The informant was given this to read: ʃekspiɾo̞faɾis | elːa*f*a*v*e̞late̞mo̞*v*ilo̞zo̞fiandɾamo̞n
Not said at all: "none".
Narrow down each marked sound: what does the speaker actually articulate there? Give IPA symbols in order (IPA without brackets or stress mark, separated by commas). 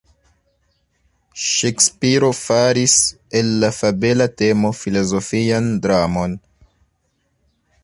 f, b, f